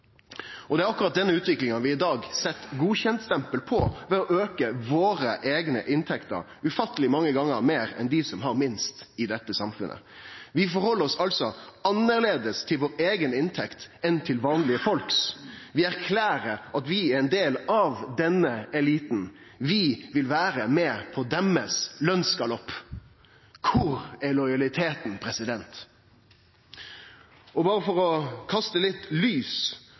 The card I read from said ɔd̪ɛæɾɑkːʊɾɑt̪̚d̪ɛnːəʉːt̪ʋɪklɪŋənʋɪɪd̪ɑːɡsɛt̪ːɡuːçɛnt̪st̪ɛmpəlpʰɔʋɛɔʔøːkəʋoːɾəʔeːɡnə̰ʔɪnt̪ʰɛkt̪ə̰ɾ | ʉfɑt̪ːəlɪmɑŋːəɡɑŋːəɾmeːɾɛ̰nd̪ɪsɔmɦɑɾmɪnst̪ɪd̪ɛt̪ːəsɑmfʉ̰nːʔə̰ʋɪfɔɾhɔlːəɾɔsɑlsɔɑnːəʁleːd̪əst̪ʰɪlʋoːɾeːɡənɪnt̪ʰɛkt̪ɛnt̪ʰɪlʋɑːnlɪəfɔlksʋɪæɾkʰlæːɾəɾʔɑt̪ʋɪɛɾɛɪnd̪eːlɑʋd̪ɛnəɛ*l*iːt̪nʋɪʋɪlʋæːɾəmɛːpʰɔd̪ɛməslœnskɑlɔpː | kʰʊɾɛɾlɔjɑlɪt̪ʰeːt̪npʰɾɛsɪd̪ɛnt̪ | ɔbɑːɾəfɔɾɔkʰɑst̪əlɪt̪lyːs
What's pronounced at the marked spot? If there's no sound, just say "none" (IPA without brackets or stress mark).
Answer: l